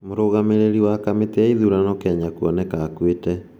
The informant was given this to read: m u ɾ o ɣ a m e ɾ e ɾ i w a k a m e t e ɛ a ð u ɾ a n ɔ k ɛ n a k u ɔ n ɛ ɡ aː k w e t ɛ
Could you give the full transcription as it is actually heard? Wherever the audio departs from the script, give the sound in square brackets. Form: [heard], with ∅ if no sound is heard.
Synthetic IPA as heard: m [o] ɾ o ɣ a m e ɾ e ɾ i w a k a m e t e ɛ [i] ð u ɾ a n ɔ k ɛ [ɲ] a k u ɔ n ɛ [k] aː k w e t ɛ